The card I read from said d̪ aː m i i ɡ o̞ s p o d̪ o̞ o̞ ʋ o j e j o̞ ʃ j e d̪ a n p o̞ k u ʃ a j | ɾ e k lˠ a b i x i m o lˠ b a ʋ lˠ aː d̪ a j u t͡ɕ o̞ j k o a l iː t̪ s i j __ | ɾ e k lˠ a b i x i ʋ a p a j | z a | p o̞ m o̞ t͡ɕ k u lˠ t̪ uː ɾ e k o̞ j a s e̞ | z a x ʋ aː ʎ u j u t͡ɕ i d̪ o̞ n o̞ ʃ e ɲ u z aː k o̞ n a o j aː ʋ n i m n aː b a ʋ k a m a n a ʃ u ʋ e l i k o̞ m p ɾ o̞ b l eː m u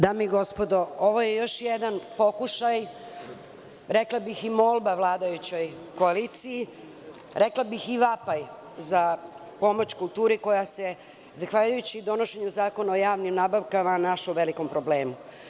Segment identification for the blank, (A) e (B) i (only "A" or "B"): B